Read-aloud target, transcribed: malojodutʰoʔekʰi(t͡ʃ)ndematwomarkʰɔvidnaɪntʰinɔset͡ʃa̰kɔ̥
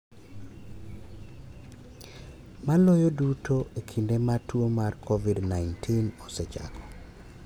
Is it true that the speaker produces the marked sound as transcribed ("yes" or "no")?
no